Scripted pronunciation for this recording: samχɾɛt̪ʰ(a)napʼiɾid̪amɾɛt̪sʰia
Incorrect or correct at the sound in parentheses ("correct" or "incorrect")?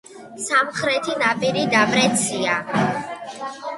incorrect